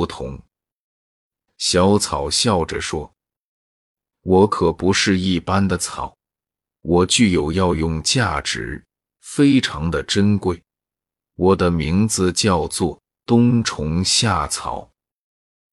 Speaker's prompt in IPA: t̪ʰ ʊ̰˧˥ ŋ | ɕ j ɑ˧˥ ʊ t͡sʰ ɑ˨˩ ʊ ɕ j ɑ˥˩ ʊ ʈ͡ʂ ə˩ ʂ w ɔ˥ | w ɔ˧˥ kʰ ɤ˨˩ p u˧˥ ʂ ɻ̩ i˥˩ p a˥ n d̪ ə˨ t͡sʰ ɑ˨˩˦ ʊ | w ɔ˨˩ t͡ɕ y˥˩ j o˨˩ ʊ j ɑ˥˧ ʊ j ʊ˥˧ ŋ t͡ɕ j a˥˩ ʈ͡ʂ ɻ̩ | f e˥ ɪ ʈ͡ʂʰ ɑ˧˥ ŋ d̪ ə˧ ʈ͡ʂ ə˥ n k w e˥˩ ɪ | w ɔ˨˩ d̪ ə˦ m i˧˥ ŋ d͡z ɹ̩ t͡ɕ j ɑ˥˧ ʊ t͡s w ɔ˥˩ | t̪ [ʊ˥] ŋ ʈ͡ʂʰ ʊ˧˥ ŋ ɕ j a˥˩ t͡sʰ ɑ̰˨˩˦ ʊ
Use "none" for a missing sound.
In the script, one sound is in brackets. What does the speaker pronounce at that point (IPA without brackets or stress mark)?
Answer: ʊ˥